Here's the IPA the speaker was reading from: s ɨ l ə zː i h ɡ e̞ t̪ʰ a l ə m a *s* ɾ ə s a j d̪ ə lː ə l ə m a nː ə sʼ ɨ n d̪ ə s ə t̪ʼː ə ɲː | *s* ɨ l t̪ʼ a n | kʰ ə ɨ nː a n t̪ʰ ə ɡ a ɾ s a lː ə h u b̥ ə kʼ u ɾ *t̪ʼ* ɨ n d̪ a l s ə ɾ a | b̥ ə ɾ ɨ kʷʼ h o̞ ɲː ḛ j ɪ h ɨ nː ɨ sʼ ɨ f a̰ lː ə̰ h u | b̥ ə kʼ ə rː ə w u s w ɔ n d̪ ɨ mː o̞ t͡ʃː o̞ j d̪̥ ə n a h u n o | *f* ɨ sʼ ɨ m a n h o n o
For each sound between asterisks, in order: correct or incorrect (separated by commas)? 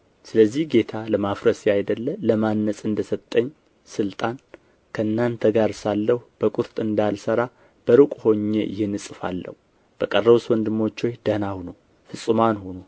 incorrect, correct, correct, correct